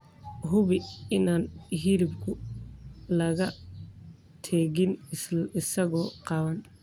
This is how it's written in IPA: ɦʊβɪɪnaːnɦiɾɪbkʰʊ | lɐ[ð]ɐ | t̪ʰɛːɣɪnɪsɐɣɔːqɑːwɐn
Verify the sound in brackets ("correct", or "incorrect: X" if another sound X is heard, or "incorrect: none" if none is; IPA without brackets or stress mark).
incorrect: ɣ